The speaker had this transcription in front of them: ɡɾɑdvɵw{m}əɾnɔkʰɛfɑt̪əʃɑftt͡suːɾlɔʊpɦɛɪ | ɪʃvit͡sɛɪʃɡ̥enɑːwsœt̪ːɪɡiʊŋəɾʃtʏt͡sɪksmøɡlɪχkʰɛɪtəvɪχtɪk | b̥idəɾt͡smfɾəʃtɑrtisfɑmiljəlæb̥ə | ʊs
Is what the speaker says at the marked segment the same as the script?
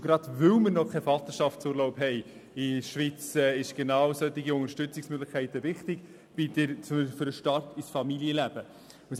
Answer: yes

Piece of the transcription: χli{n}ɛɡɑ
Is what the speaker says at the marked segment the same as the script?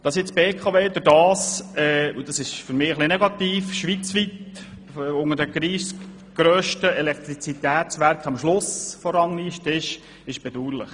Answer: yes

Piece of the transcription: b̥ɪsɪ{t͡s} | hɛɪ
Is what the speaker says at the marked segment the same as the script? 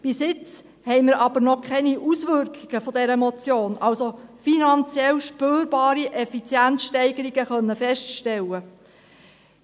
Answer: yes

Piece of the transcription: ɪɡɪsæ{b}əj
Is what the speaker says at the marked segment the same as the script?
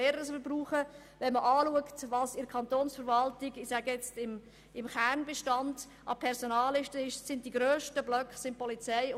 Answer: no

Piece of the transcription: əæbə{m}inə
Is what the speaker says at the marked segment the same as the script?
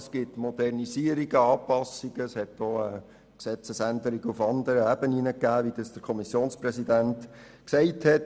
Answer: no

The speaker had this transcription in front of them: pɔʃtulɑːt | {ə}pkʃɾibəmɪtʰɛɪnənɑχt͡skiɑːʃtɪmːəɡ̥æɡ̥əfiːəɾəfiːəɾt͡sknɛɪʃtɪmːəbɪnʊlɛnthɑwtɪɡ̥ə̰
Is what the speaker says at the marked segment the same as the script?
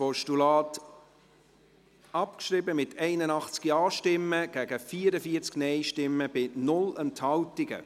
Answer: no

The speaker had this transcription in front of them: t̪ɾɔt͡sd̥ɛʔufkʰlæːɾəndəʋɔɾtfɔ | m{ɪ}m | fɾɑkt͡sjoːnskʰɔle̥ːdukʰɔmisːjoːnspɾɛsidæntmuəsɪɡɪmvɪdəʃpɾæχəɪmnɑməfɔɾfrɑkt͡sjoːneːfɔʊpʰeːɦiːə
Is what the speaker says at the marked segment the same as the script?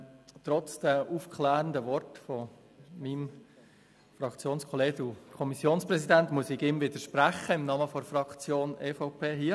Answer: no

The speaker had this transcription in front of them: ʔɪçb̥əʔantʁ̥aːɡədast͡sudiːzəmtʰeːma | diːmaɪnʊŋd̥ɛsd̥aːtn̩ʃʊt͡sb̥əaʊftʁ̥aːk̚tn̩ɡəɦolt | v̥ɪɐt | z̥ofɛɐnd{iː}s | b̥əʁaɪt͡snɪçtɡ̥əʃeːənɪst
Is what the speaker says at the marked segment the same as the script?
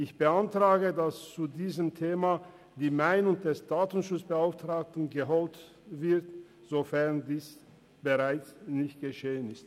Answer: yes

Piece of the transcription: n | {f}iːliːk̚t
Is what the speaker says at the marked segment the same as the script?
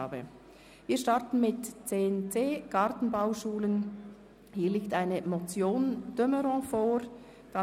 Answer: no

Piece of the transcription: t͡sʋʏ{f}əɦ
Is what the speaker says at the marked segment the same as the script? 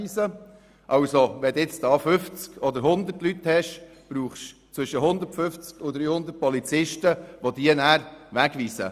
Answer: no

